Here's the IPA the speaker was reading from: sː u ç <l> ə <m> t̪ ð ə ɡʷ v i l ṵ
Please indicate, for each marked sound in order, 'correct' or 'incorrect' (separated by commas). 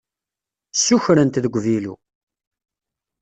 incorrect, incorrect